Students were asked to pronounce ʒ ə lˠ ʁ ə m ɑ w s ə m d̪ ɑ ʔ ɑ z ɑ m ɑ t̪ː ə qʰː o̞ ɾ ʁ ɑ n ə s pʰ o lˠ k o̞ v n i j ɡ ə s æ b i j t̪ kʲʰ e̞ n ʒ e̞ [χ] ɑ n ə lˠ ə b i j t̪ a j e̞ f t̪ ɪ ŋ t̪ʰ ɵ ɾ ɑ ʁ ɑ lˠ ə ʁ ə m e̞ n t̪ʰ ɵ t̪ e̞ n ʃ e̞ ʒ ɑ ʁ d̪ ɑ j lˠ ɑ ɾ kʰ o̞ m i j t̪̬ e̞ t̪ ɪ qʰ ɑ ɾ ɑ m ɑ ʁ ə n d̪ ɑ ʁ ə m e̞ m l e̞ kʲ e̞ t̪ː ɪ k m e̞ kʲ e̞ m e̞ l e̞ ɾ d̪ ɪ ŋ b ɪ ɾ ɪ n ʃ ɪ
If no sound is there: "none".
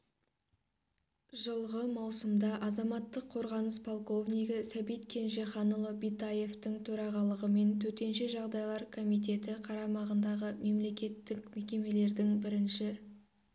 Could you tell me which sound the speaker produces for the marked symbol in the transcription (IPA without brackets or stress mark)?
χ